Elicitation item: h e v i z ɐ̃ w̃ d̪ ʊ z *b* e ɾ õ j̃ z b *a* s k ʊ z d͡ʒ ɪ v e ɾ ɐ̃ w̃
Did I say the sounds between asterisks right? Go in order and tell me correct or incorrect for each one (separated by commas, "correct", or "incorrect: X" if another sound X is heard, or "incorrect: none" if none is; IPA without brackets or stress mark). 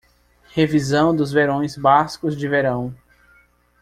incorrect: v, correct